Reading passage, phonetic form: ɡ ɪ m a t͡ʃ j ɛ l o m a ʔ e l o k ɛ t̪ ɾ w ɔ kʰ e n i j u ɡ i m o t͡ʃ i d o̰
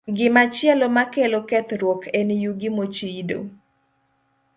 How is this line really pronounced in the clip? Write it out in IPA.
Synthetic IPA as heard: ɡ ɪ m a t͡ʃ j ɛ l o m a k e l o k ɛ t̪ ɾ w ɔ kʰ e n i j u ɡ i m o t͡ʃ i d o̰